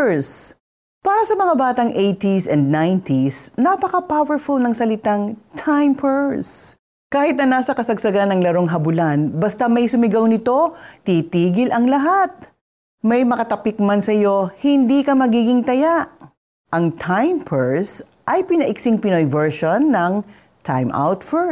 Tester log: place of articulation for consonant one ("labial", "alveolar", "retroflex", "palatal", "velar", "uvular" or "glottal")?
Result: alveolar